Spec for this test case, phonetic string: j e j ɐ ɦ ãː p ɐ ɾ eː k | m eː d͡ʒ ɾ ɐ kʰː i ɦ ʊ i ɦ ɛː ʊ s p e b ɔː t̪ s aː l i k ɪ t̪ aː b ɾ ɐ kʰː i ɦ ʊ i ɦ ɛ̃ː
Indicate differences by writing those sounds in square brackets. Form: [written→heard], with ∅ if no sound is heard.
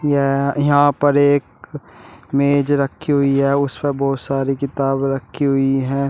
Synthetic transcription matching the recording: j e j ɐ ɦ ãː p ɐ ɾ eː k | m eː d͡ʒ ɾ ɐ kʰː i ɦ ʊ i ɦ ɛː ʊ s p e b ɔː t̪ s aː [l→ɾ] i k ɪ t̪ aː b ɾ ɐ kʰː i ɦ ʊ i ɦ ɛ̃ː